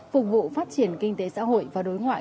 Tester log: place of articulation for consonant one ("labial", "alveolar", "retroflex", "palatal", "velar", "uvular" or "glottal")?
labial